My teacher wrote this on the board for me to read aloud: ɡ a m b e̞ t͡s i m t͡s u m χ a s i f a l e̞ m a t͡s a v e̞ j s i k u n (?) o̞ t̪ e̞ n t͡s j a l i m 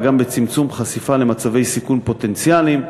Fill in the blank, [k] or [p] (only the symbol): p